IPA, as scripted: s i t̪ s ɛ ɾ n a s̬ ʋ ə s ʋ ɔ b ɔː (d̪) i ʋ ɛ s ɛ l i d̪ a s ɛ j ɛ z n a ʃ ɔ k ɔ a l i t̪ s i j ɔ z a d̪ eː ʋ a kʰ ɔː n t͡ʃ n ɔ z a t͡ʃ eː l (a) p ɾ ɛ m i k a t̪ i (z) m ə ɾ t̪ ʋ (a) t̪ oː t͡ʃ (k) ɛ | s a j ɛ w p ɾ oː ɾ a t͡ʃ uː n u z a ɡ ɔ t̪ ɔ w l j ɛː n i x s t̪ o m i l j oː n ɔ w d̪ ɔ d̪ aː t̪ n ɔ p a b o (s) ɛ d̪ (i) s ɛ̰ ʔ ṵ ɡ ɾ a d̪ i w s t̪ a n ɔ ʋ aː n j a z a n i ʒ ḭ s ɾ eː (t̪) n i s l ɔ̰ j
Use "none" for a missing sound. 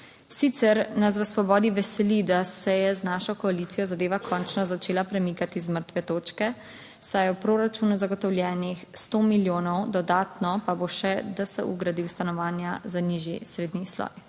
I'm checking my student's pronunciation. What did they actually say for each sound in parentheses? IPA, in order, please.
d̪, a, z, ɛ, k, ʃ, a, d̪

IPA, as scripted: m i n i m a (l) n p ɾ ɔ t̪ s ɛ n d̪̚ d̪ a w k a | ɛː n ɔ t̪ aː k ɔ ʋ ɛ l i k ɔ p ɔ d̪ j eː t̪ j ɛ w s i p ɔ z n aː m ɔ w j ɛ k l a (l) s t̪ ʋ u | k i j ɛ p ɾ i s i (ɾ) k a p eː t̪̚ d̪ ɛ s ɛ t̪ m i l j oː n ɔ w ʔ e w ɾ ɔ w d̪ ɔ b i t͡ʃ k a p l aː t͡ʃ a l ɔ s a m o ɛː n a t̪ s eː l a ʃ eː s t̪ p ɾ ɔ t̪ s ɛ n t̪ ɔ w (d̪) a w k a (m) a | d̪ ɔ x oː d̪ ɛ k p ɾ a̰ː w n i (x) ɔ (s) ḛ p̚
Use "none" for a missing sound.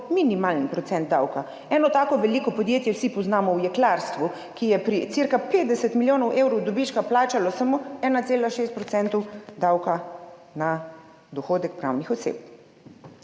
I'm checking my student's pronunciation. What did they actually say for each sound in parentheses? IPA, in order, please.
l, ɾ, ɾ, d̪, n, x, s

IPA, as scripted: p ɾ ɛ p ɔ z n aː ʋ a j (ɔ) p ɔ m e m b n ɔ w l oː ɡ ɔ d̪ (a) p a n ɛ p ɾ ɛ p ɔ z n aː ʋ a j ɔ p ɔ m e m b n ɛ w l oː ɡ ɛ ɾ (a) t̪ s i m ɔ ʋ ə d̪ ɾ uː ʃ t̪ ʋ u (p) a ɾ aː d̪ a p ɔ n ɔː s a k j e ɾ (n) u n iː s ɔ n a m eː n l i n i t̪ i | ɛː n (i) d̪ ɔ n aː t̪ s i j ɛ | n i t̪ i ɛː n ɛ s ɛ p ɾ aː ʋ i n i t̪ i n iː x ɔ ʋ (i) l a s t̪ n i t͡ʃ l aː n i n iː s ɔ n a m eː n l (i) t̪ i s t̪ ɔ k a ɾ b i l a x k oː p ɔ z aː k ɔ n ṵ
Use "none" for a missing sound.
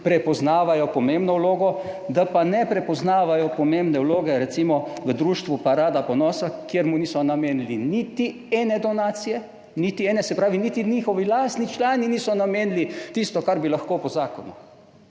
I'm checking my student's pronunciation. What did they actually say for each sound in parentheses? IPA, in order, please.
ɔ, a, ɛ, p, m, ɛ, i, i

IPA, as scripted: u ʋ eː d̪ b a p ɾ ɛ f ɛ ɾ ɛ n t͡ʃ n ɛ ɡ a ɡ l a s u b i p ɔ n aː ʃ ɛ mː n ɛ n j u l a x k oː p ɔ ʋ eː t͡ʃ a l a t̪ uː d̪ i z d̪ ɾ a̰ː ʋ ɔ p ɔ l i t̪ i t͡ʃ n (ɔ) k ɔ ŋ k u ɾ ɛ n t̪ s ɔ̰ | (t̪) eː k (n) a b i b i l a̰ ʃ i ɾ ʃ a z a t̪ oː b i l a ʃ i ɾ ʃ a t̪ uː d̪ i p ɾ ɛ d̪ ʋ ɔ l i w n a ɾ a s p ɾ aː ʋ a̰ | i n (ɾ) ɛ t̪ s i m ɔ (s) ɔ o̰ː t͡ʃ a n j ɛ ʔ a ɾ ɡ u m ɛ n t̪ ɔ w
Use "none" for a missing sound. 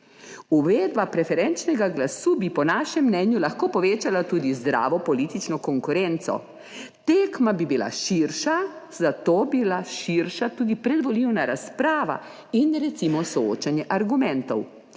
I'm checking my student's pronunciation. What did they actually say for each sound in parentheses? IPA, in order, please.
ɔ, t̪, m, ɾ, s

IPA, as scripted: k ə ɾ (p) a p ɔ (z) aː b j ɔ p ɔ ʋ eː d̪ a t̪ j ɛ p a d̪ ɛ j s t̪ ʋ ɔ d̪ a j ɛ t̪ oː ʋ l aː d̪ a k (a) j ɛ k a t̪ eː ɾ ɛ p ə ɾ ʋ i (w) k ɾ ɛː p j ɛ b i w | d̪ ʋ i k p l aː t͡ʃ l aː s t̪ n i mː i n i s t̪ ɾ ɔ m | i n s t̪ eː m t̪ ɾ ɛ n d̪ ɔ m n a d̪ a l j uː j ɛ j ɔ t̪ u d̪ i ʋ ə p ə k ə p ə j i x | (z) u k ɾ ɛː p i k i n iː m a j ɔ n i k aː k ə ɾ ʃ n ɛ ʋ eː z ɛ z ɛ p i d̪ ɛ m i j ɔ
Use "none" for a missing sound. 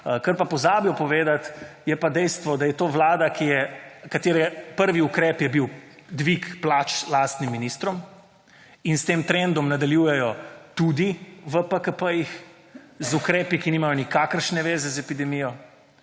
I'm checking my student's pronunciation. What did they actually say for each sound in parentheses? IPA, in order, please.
p, z, i, u, z

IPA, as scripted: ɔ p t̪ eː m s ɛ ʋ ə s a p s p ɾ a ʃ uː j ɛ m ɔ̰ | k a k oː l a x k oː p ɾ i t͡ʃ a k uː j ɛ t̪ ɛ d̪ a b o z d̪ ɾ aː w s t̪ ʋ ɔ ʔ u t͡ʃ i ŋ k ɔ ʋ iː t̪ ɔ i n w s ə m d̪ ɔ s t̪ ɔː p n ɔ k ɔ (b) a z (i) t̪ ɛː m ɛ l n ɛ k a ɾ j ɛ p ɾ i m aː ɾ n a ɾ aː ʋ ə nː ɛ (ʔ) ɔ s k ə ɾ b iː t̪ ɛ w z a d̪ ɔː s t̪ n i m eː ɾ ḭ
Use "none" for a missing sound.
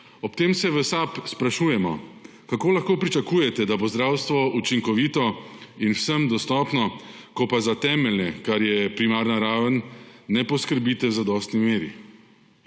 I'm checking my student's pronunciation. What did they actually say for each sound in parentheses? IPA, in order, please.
p, a, p

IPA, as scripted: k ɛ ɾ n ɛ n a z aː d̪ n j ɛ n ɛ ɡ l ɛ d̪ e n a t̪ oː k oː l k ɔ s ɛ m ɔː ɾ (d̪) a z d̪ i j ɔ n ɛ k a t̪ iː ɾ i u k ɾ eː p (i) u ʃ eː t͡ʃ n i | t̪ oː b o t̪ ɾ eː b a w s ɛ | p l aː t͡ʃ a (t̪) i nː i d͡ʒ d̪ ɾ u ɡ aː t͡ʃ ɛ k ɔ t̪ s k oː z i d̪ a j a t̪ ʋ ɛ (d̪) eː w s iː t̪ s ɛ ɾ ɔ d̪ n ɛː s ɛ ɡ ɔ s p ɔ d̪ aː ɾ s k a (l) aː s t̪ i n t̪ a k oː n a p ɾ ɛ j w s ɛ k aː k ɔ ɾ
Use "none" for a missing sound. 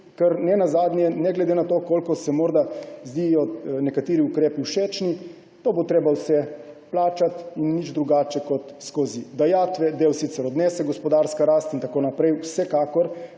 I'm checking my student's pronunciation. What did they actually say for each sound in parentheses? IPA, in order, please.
d̪, i, t̪, d̪, ɾ

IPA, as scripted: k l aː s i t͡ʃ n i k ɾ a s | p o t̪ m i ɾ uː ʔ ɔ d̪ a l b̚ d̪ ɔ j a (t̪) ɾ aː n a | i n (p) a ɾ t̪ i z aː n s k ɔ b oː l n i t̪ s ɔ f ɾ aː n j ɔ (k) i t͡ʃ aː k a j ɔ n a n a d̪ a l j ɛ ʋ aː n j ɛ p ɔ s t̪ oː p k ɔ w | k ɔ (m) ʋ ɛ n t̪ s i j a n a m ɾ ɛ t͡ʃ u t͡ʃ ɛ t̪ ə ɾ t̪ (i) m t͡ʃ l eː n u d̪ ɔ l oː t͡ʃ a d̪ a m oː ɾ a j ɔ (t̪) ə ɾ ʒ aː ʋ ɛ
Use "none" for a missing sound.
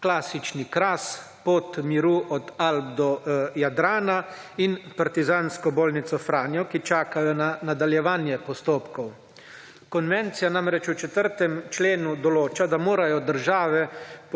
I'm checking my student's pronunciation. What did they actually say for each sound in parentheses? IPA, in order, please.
d̪, p, k, n, ɛ, d̪

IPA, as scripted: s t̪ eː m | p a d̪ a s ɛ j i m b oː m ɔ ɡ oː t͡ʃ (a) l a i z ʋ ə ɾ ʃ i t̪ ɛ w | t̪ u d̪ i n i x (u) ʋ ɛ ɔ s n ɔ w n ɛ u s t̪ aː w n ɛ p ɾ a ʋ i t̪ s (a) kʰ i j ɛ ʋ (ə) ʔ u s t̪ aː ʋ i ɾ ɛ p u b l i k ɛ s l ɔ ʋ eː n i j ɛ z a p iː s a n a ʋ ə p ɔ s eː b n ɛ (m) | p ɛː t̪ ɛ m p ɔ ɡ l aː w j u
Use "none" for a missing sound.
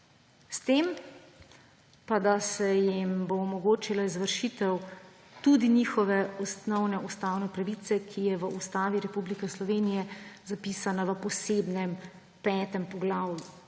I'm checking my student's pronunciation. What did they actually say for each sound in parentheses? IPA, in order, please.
i, ɔ, ɛ, ə, m

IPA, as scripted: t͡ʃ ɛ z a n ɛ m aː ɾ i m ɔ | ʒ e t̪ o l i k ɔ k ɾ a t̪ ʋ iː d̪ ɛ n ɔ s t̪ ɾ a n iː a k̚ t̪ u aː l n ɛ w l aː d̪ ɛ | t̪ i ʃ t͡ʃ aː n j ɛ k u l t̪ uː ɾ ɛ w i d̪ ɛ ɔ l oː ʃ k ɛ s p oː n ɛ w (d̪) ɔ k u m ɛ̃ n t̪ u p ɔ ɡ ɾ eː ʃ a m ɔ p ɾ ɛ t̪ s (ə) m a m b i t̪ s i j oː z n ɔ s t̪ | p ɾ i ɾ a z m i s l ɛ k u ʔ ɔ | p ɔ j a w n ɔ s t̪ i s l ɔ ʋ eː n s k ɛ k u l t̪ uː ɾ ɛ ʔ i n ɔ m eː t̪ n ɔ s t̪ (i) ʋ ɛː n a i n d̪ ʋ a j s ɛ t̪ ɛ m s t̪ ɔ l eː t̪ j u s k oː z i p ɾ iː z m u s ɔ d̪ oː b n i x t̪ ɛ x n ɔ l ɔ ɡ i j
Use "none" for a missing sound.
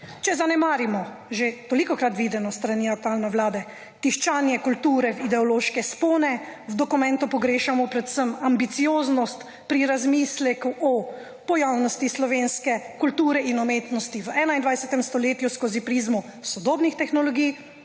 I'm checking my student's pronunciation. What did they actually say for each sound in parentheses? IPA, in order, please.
d̪, ə, i

